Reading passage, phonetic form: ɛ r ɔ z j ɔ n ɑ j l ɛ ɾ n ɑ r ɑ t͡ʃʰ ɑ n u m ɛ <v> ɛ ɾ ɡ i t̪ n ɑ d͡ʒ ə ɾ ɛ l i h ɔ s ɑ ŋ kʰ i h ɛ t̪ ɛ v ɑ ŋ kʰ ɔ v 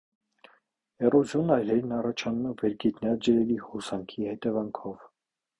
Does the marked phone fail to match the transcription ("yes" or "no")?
no